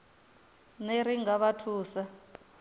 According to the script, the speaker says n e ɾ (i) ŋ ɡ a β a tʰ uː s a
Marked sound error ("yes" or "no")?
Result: no